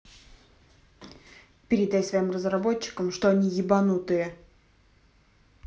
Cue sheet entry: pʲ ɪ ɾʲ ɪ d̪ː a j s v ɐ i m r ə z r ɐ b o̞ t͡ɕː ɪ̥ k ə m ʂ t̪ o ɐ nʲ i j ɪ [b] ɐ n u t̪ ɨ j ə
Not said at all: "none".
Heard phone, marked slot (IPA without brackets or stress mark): b